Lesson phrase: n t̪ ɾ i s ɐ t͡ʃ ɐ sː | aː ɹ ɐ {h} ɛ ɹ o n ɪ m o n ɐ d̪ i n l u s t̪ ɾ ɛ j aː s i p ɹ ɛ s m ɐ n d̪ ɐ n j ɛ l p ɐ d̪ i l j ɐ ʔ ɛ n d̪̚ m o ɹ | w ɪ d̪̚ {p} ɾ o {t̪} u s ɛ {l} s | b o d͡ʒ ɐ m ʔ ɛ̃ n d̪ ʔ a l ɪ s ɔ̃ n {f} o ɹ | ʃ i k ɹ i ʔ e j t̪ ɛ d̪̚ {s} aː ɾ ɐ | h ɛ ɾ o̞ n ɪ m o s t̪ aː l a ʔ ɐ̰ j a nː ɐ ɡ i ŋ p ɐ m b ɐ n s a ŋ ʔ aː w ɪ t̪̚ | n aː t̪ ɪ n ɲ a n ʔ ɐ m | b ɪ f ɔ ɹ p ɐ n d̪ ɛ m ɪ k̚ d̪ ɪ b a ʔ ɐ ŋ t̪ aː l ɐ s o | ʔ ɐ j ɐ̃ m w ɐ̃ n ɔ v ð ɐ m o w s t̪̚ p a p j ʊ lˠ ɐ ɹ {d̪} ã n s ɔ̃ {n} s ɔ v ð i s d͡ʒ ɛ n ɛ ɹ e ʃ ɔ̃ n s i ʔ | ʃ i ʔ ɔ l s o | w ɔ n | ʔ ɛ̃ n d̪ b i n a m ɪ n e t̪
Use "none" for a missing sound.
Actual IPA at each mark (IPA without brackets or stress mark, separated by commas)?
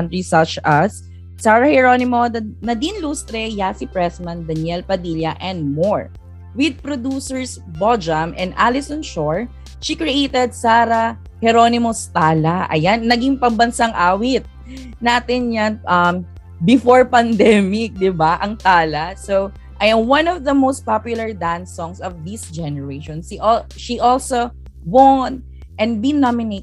h, p, d̪, ɹ, ʃ, s, d̪, ŋ